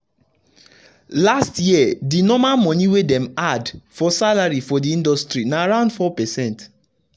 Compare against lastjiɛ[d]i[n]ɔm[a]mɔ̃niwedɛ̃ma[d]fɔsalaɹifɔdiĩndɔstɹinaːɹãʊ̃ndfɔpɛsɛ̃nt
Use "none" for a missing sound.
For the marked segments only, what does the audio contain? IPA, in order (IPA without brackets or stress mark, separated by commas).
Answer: d, n, a, d